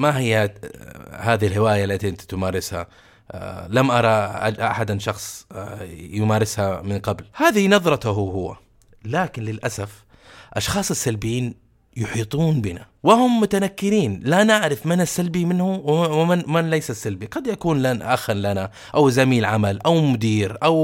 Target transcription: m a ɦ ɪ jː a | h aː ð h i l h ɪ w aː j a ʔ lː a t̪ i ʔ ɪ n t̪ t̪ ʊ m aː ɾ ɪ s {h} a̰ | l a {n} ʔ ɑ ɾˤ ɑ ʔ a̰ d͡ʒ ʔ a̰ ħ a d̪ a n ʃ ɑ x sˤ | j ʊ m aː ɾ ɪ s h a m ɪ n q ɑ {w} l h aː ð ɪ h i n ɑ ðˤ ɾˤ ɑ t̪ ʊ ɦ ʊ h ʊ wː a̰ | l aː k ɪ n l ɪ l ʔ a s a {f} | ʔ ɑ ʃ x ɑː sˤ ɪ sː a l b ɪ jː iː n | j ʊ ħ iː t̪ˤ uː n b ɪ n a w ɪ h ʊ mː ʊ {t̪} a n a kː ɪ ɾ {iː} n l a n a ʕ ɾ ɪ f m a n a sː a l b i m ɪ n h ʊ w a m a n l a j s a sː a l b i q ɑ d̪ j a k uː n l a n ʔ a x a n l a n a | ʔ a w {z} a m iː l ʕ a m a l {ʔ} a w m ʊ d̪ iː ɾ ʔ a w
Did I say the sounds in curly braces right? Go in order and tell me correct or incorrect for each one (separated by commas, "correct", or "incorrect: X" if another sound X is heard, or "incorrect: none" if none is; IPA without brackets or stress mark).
correct, incorrect: m, incorrect: b, correct, correct, correct, correct, correct